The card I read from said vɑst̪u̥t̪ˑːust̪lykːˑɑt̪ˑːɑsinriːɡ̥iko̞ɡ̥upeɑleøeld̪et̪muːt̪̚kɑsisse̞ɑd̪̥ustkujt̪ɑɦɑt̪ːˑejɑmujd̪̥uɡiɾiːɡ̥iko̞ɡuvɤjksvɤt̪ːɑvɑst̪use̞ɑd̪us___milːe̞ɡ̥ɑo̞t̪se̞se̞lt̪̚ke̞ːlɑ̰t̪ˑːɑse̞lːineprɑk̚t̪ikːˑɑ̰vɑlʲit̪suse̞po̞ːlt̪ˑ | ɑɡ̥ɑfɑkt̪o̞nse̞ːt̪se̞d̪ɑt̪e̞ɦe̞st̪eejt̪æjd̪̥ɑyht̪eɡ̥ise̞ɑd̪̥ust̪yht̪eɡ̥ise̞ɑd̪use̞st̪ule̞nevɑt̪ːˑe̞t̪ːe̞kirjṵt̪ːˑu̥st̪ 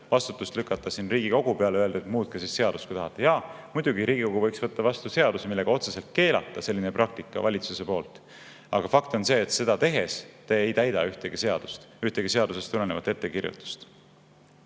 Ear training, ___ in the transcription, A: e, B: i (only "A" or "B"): A